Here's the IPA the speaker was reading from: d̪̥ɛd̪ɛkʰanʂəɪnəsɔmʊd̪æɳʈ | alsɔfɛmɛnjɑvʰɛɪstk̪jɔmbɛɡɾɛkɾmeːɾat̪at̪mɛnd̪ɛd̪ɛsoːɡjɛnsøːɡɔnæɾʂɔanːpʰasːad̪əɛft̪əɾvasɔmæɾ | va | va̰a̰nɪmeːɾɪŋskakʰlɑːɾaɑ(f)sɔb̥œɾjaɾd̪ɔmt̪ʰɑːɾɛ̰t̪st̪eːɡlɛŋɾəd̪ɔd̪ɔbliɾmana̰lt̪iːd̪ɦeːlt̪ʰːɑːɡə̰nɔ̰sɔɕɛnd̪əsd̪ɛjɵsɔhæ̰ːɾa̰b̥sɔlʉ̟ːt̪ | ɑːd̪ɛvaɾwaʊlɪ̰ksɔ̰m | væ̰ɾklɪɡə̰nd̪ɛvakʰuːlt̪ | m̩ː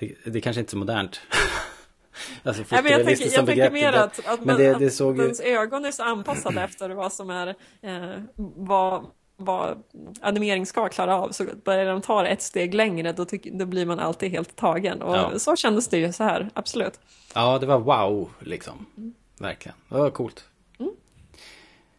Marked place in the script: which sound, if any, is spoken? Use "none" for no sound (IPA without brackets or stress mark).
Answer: v